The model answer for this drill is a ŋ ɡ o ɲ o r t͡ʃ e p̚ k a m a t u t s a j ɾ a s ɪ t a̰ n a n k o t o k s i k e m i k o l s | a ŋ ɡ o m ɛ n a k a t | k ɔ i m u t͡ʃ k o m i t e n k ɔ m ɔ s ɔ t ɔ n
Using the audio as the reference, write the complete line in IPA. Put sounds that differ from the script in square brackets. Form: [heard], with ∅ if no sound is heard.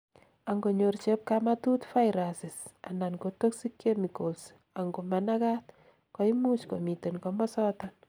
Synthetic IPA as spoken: a ŋ ɡ o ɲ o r t͡ʃ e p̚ k a m a t u t [f] a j ɾ a s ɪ [s] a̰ n a n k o t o k s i k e m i k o l s | a ŋ ɡ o m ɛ n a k a t | k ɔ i m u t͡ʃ k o m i t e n k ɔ m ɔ s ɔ t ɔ n